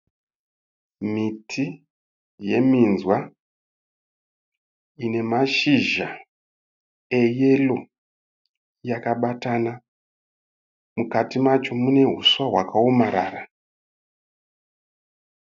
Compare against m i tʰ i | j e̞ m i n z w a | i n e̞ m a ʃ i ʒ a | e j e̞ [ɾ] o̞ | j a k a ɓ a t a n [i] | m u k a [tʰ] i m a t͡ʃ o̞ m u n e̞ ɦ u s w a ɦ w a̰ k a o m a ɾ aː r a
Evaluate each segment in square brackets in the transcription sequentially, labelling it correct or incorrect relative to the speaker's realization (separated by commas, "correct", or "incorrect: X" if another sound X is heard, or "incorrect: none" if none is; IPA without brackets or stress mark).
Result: incorrect: l, incorrect: a, incorrect: t